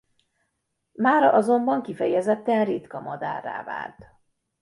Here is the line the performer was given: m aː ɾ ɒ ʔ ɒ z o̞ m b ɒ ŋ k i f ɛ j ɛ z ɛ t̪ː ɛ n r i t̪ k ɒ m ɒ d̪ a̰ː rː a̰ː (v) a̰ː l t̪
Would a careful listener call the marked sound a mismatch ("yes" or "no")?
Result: no